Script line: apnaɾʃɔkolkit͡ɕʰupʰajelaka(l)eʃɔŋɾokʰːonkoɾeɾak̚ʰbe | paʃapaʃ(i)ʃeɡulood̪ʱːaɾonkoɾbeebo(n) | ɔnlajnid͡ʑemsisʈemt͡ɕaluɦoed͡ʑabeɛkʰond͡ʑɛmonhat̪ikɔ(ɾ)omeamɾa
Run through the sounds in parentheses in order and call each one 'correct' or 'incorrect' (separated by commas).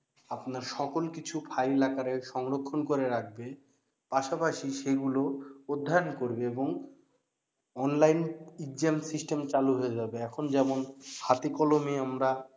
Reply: incorrect, correct, incorrect, incorrect